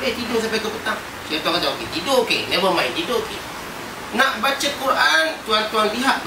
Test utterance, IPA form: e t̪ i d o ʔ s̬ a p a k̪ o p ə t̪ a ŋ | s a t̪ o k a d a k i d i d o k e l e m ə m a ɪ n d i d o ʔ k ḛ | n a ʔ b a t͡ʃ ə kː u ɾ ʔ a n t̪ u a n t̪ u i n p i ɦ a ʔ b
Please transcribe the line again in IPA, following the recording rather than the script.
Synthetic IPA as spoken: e t̪ i d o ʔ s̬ a p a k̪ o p ə t̪ a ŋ | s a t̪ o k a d a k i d i d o k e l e m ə m a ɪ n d i d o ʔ k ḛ | n a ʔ b a t͡ʃ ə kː u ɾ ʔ a n t̪ u a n t̪ u a n p i ɦ a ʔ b